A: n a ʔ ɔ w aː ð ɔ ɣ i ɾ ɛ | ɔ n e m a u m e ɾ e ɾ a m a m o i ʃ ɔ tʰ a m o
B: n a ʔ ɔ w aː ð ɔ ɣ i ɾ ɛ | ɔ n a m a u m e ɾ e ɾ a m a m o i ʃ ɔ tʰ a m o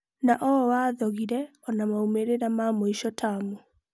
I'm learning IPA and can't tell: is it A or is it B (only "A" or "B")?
B